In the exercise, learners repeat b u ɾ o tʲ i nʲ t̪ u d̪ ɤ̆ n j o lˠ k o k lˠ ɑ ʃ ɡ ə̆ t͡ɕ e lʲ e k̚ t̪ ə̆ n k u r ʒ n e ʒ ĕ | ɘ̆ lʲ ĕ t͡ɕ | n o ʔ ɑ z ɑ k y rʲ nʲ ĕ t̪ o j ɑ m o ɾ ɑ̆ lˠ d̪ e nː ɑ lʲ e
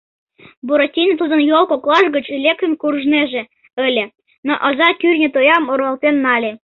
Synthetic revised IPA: b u ɾ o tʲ i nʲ t̪ u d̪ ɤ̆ n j o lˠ k o k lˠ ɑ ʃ ɡ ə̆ t͡ɕ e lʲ e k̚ t̪ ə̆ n k u r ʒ n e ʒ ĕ | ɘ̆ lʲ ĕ | n o ʔ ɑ z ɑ k y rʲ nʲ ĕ t̪ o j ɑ m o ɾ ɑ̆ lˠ t̪ e nː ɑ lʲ e